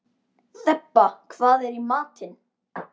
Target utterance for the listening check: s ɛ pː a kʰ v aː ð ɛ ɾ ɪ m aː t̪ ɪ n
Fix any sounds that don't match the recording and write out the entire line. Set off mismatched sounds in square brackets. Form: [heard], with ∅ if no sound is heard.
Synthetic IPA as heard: [θ] ɛ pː a kʰ v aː ð ɛ ɾ [i] m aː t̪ ɪ n